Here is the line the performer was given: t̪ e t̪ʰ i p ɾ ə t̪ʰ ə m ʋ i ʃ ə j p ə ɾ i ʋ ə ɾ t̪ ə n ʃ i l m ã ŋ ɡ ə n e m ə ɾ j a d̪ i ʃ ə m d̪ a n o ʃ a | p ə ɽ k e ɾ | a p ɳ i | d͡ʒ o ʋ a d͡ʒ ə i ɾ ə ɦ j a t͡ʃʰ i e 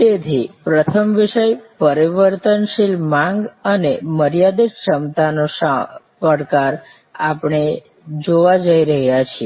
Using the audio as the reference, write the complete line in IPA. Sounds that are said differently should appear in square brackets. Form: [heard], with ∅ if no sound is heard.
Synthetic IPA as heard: t̪ e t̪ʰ i p ɾ ə t̪ʰ ə m ʋ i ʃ ə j p ə ɾ i ʋ ə ɾ t̪ ə n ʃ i l m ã ŋ ɡ ə n e m ə ɾ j a d̪ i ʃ ə m [t̪] a n o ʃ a | p ə ɽ k [a] ɾ | a p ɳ [e] | d͡ʒ o ʋ a d͡ʒ ə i ɾ ə ɦ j a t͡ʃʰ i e

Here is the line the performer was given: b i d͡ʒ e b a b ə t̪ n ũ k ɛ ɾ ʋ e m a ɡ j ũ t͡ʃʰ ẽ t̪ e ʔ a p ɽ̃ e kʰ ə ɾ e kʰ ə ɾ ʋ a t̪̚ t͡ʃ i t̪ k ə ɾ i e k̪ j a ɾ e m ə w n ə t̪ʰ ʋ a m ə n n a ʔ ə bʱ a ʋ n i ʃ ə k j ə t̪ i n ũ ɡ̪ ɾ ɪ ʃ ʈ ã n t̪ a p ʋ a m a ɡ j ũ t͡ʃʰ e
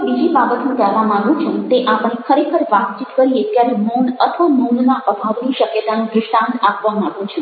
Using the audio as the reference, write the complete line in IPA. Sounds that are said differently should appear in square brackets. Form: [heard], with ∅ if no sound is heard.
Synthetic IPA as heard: b i d͡ʒ [i] b a b ə t̪ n ũ k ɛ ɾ ʋ [a] m a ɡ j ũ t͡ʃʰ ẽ t̪ e ʔ a p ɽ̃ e kʰ ə ɾ e kʰ ə ɾ ʋ a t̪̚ t͡ʃ i t̪ k ə ɾ i e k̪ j a ɾ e m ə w n ə t̪ʰ ʋ a m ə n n a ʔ ə bʱ a ʋ n i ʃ ə k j ə t̪ [a] n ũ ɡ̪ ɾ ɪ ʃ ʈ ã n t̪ a p ʋ a m a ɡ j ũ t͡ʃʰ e

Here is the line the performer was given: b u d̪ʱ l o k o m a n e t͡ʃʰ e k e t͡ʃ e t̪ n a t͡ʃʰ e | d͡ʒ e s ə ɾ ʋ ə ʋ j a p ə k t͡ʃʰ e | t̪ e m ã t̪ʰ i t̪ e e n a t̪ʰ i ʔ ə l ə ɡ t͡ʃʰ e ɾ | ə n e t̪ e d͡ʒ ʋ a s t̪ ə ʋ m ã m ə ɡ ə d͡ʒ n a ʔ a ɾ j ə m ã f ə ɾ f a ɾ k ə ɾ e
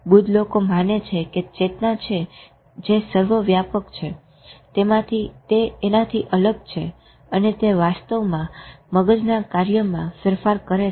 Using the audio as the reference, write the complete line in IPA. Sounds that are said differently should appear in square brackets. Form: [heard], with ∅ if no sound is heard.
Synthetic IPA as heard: b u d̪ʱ l o k o m a n e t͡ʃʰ e k e t͡ʃ e t̪ n a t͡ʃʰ e | d͡ʒ e s ə ɾ ʋ ə ʋ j a p ə k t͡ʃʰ e | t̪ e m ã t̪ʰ i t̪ e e n a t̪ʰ i ʔ ə l ə ɡ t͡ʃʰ e [∅] | ə n e t̪ e [∅] ʋ a s t̪ ə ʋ m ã m ə ɡ ə d͡ʒ n a [k] a ɾ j ə m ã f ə ɾ f a ɾ k ə ɾ e

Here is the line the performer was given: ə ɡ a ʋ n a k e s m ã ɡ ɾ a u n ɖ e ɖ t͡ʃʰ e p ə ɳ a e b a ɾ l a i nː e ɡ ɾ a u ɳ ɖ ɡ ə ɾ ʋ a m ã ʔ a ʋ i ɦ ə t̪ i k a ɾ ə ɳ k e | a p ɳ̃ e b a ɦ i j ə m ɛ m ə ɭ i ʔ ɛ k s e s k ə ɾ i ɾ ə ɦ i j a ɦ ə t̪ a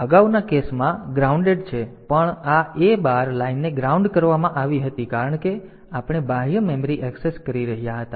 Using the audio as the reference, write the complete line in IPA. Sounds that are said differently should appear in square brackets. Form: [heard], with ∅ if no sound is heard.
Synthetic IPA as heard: ə ɡ a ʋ n a k e s m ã ɡ ɾ a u [ɳ] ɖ e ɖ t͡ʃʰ e p ə ɳ a e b a ɾ l a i nː e ɡ ɾ a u ɳ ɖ [k] ə ɾ ʋ a m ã ʔ a ʋ i ɦ ə t̪ i k a ɾ ə ɳ k e | a p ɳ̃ e b a ɦ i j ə m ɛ m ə [ɾ] i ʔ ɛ k s e s k ə ɾ i ɾ ə ɦ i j a ɦ ə t̪ a

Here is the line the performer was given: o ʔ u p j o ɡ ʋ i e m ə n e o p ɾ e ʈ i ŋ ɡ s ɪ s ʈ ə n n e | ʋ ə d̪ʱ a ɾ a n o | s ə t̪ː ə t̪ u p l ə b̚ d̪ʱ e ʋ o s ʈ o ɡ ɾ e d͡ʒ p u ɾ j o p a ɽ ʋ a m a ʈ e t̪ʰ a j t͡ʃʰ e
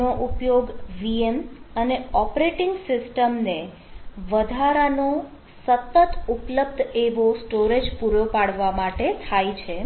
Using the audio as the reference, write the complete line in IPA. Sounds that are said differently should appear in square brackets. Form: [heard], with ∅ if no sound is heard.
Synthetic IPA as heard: o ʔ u p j o ɡ ʋ i e m ə n e [ɔ] p ɾ e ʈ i ŋ ɡ s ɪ s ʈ ə [m] n e | ʋ ə d̪ʱ a ɾ a n o | s ə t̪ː ə t̪ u p l ə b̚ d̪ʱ e ʋ o s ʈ o [∅] ɾ e d͡ʒ p u ɾ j o p a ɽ ʋ a m a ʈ e t̪ʰ a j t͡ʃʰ e

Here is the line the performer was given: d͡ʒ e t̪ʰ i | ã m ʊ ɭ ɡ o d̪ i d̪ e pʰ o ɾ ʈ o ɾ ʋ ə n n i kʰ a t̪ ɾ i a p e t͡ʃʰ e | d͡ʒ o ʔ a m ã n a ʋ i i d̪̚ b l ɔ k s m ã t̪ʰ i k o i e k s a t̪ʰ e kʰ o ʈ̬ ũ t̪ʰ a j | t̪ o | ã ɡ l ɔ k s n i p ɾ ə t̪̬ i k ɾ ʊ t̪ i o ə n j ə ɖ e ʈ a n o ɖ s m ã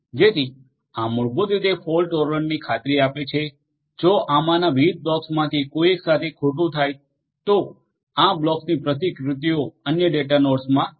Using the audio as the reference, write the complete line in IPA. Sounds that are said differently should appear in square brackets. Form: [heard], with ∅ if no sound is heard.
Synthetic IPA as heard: d͡ʒ e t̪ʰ i | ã m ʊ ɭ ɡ o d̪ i d̪ e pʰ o [l] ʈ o ɾ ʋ ə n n i kʰ a t̪ ɾ i a p e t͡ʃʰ e | d͡ʒ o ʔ a m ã n a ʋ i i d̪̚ b l ɔ k s m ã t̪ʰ i k o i e k s a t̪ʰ e kʰ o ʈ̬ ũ t̪ʰ a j | t̪ o | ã [b] l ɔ k s n i p ɾ ə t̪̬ i k ɾ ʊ t̪ i o ə n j ə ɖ e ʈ a n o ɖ s m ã

